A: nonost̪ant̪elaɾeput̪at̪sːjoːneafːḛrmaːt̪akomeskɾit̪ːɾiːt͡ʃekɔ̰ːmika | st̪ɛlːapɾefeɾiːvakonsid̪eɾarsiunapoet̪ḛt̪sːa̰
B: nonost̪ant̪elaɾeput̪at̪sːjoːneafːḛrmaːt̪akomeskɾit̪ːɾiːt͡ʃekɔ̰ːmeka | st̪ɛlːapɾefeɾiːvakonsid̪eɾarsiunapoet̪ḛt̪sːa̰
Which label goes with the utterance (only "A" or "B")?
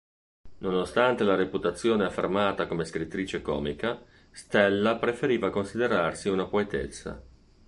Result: A